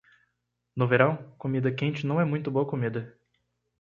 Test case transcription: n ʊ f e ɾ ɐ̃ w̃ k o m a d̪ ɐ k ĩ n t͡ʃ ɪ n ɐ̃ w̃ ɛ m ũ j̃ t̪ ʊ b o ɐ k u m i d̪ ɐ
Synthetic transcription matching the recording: n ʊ v e ɾ ɐ̃ w̃ k o m i d̪ ɐ k ẽ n t͡ʃ ɪ n ɐ̃ w̃ ɛ m ũ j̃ t̪ ʊ b o ɐ k o m i d̪ ɐ